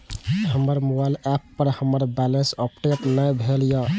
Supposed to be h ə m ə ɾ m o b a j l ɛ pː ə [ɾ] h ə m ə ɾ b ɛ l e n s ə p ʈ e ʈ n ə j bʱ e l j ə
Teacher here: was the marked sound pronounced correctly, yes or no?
yes